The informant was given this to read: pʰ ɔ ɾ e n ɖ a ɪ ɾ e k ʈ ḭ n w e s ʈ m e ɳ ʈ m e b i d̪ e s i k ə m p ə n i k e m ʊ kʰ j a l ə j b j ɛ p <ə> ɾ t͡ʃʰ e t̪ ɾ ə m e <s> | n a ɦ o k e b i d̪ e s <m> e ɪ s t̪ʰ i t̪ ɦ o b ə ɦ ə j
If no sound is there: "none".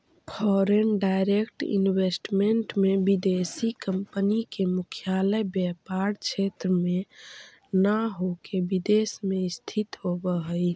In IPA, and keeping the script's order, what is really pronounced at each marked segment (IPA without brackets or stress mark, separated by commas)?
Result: a, none, m